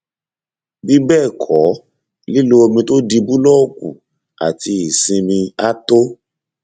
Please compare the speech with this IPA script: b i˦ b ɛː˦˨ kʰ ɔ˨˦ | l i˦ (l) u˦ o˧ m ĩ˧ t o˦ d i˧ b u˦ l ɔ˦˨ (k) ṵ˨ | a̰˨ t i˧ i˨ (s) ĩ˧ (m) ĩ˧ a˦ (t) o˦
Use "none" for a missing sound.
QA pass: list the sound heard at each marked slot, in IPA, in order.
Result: l, k, s, m, t

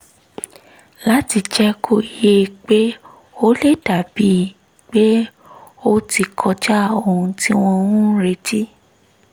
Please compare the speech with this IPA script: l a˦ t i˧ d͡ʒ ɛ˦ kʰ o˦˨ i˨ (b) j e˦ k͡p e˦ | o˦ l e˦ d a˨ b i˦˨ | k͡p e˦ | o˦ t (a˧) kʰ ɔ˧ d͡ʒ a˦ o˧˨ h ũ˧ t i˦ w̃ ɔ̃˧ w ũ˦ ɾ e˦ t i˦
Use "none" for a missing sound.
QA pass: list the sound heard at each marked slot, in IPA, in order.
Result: none, i˧

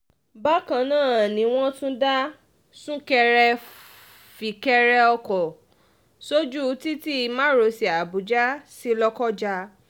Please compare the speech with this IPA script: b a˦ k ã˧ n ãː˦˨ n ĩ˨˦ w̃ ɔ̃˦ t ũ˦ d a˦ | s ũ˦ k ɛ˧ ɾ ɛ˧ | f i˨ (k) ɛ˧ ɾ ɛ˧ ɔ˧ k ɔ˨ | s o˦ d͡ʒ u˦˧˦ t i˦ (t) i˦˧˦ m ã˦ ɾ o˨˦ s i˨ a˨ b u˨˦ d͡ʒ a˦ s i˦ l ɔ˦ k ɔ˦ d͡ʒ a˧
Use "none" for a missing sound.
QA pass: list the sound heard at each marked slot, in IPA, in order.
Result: k, t

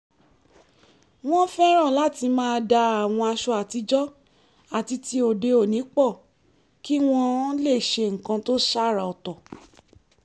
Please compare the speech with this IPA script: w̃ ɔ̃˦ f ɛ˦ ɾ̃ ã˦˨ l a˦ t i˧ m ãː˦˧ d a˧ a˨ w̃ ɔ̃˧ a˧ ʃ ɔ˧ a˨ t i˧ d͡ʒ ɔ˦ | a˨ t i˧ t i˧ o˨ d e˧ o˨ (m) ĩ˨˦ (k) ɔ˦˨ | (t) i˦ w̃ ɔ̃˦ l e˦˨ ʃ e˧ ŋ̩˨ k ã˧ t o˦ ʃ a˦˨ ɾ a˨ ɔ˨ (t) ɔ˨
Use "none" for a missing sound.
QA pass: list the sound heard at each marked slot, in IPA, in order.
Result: n, k͡p, k, t

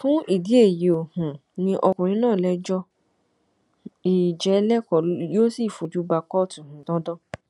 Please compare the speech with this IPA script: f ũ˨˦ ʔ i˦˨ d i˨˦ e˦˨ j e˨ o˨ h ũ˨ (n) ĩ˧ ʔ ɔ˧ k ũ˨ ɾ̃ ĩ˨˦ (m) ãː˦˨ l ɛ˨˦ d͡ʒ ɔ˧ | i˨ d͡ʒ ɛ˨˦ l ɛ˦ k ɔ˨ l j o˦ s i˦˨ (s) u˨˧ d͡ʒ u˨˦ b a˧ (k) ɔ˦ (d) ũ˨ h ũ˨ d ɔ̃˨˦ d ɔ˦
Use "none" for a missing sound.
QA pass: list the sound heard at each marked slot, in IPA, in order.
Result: n, n, f, k, t

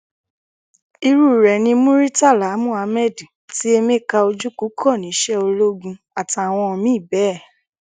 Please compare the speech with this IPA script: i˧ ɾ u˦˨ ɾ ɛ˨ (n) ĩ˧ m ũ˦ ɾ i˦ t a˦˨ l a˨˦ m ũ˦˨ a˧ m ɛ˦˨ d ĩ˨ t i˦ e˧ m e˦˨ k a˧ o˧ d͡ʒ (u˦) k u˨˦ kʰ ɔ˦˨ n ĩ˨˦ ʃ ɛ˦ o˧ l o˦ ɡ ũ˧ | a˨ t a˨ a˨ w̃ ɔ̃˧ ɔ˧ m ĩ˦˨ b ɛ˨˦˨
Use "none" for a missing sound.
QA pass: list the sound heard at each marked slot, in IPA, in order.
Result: n, u˦

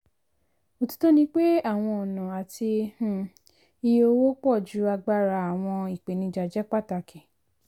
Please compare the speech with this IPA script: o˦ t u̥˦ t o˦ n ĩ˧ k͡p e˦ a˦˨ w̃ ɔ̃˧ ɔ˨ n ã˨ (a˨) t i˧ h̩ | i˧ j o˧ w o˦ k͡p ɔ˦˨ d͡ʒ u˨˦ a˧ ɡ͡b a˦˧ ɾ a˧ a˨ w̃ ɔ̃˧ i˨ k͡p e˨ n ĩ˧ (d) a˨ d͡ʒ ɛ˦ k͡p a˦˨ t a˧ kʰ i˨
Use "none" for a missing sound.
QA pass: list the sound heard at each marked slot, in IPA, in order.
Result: a˨, d͡ʒ

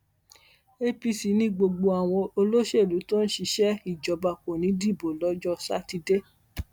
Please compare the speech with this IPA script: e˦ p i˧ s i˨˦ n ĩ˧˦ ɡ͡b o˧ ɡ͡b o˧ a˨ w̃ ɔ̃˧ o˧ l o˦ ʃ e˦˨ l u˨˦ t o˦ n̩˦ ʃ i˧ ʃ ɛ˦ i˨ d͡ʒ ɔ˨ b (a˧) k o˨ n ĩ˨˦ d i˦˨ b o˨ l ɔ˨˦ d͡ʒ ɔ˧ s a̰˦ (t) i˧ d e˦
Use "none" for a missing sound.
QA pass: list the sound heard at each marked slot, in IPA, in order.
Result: a˧, t

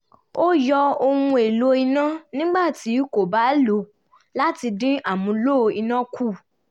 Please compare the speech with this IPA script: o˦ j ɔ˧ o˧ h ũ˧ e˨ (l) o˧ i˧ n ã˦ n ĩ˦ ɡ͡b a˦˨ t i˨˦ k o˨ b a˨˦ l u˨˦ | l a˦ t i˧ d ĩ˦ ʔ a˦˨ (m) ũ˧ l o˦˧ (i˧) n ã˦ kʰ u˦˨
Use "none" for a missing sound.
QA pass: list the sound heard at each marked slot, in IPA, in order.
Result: l, m, i˧

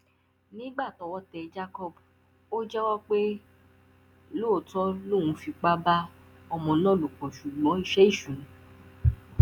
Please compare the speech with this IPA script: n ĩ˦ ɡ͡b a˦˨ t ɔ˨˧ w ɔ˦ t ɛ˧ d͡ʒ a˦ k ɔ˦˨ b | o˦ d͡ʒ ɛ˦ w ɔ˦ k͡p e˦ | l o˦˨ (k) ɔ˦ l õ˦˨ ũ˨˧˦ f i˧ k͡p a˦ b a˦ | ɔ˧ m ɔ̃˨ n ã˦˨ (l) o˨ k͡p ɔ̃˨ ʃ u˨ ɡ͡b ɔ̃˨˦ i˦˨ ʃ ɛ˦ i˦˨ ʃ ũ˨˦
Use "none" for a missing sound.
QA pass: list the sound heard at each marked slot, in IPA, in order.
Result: t, l

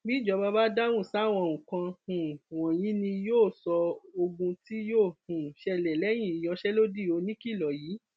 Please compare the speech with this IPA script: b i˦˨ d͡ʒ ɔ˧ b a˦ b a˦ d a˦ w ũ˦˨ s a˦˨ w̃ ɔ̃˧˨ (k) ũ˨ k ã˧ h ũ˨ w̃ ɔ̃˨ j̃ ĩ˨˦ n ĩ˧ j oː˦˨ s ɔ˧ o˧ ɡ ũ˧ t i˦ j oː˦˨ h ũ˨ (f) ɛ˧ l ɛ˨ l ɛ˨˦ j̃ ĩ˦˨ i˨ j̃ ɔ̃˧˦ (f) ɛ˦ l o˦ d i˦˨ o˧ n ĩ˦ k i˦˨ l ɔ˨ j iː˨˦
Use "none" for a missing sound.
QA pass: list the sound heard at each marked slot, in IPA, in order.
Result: none, ʃ, ʃ

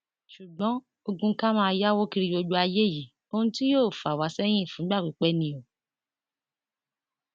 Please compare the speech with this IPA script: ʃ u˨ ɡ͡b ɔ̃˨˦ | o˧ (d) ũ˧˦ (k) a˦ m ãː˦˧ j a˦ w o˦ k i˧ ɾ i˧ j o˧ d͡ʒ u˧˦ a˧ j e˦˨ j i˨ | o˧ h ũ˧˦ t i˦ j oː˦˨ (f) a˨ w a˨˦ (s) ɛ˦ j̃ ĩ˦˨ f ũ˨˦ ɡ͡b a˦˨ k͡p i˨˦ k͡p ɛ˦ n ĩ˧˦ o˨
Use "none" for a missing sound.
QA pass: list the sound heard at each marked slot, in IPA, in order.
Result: ɡ, k, f, s

